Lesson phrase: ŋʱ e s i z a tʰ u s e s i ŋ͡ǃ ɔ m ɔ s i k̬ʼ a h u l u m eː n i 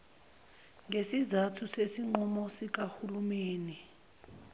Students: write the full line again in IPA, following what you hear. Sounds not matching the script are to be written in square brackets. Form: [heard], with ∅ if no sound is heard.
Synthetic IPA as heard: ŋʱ e s i z a tʰ u s e s i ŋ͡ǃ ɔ m ɔ s i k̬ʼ a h u l u m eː n i